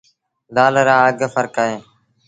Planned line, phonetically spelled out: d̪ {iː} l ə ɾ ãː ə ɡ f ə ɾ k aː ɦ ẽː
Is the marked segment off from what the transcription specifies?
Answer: yes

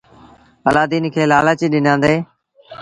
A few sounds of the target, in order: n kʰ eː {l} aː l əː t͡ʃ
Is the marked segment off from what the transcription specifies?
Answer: no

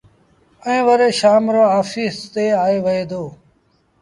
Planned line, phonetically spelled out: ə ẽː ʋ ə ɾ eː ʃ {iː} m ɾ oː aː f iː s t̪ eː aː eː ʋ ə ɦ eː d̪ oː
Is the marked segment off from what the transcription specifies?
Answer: yes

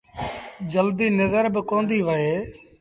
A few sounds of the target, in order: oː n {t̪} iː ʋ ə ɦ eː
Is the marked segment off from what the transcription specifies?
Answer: yes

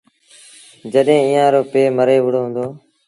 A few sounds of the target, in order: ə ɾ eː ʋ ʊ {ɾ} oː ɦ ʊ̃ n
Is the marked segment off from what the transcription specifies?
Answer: yes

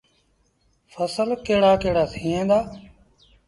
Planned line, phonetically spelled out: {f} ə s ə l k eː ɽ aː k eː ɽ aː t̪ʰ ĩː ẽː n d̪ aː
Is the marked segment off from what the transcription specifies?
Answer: no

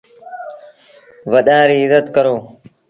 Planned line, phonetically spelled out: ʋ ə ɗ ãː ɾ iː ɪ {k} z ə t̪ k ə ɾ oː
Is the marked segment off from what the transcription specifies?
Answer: yes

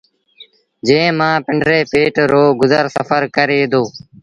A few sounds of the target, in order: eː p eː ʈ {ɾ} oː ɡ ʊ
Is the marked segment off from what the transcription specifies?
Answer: no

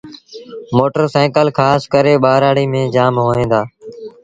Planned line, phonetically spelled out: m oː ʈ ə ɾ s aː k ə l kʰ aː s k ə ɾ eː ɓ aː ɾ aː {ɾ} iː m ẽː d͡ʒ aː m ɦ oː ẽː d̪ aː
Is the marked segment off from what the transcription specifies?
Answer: yes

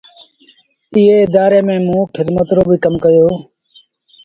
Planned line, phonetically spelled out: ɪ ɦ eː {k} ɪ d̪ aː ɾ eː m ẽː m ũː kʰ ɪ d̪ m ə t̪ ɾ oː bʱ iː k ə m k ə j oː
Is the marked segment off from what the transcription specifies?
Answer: yes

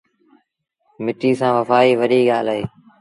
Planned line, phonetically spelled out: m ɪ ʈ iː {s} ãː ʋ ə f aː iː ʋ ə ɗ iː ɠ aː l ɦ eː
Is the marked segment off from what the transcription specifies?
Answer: no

